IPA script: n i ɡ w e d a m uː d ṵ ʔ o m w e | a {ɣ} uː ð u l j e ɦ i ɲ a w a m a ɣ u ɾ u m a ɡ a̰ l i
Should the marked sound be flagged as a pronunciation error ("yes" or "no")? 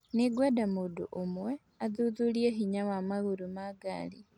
yes